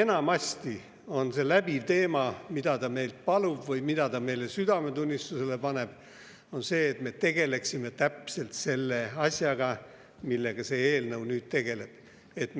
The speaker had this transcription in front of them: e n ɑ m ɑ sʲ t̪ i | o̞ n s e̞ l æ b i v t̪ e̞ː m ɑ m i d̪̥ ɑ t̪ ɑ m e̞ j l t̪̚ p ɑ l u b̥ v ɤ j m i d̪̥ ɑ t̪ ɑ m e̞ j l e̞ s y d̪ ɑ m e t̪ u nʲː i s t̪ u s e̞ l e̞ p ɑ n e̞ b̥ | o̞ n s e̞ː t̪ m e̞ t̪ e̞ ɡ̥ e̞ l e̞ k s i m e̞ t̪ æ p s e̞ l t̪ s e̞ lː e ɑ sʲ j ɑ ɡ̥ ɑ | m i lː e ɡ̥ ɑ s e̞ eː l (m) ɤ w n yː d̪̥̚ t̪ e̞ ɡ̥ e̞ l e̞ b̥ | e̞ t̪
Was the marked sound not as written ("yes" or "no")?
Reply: yes